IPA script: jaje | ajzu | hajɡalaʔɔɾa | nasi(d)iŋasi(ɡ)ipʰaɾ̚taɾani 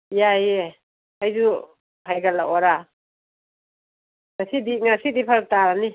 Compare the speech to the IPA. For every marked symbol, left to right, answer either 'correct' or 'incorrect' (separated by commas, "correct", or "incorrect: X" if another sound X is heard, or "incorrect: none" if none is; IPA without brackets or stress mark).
correct, incorrect: d